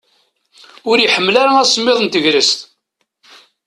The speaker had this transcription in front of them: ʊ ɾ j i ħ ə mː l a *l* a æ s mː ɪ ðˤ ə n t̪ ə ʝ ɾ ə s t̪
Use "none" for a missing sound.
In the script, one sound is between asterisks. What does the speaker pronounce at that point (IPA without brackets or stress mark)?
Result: ɾ